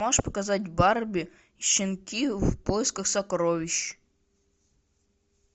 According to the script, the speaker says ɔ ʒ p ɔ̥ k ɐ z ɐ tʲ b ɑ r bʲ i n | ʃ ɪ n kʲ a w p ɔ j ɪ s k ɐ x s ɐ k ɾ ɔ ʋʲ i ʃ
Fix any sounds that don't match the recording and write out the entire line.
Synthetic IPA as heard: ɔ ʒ p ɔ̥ k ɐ z ɑ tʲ b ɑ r bʲ i | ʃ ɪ n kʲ i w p ɔ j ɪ s k ɐ x s ɐ k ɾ ɔ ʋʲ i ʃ